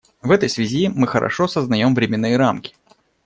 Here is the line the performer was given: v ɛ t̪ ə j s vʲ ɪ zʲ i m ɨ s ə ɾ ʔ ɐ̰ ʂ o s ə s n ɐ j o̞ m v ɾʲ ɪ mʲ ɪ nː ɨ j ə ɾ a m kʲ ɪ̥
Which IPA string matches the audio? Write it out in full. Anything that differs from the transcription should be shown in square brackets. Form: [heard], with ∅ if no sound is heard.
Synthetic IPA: v ɛ t̪ ə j s vʲ ɪ zʲ i m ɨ [x] ə ɾ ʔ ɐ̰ ʂ o s ə [z] n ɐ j o̞ m v ɾʲ ɪ mʲ ɪ nː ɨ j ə ɾ a m kʲ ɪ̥